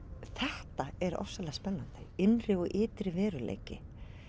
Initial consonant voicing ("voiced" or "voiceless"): voiceless